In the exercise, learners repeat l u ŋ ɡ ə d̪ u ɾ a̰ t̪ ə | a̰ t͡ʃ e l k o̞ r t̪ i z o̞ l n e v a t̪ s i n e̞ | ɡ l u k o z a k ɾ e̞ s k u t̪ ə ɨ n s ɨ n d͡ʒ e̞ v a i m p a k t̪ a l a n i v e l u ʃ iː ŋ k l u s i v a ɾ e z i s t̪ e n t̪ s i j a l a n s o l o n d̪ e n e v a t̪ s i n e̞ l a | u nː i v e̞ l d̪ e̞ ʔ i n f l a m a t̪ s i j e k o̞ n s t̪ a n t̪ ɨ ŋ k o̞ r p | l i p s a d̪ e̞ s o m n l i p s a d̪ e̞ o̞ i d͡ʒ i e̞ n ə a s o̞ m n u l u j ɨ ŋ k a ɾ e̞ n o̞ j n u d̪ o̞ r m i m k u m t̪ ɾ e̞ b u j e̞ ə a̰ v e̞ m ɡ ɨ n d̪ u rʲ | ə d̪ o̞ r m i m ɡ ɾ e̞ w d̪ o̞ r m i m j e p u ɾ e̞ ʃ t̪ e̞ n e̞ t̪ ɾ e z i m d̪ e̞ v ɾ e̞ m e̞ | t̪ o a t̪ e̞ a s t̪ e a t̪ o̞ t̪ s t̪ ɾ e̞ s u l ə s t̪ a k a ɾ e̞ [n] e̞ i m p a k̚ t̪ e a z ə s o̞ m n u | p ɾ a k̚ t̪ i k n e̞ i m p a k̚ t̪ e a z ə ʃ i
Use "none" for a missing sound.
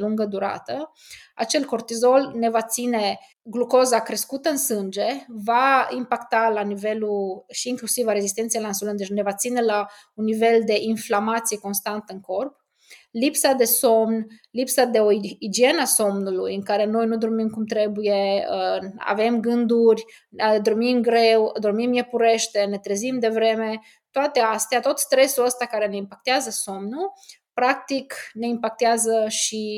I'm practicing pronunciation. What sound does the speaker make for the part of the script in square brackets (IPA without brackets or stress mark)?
n